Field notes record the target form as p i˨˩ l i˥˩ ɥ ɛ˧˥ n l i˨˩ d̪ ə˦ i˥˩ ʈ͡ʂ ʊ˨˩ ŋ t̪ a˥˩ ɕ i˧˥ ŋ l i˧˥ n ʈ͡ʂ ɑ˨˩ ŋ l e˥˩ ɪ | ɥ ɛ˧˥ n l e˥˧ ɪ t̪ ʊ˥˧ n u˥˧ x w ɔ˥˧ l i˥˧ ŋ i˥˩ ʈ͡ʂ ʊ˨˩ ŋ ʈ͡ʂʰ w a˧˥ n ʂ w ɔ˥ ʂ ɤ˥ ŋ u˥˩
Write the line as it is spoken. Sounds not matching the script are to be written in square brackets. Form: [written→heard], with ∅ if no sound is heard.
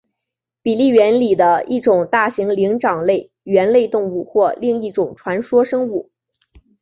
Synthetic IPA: p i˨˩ l i˥˩ ɥ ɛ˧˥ n l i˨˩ d̪ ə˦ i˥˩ ʈ͡ʂ ʊ˨˩ ŋ t̪ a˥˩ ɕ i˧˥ ŋ l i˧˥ [n→ŋ] ʈ͡ʂ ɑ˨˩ ŋ l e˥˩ ɪ | ɥ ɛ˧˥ n l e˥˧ ɪ t̪ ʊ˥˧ [n→ŋ] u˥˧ x w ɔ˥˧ l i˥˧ ŋ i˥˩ ʈ͡ʂ ʊ˨˩ ŋ ʈ͡ʂʰ w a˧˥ n ʂ w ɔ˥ ʂ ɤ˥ ŋ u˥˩